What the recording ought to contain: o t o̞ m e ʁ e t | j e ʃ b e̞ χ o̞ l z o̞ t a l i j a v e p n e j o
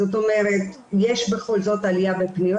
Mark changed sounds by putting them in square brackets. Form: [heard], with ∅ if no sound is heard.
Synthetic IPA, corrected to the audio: o t o̞ m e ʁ e t | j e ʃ b e̞ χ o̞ l z o̞ t a l i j a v e p n [i] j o